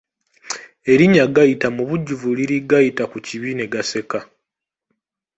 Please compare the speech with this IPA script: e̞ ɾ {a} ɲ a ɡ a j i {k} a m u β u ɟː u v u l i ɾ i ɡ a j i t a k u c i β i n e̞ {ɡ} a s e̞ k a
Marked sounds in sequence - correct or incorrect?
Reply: incorrect, incorrect, correct

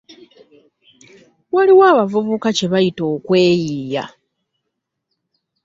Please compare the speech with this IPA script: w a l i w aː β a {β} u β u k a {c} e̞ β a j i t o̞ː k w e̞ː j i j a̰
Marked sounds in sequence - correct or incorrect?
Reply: incorrect, correct

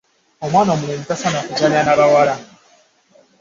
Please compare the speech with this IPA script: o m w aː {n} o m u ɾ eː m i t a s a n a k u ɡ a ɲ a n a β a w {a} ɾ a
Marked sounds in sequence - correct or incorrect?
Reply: correct, correct

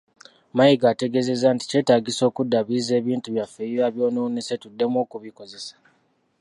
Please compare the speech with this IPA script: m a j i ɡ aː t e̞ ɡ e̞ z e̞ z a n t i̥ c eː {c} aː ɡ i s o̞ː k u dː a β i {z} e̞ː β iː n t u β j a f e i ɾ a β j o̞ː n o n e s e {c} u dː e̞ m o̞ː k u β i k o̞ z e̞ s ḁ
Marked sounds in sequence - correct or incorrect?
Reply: incorrect, correct, incorrect

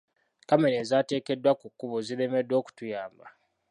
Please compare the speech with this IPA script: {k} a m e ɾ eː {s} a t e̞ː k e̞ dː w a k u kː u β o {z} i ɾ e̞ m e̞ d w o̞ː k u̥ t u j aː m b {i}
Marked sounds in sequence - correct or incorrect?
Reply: correct, incorrect, correct, incorrect

